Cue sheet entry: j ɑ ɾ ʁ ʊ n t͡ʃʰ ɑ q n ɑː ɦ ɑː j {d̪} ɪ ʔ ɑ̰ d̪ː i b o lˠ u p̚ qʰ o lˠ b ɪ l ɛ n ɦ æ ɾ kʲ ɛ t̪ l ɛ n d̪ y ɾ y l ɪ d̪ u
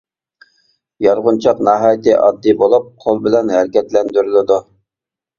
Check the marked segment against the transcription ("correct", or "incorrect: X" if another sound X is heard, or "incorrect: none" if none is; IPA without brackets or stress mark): incorrect: t̪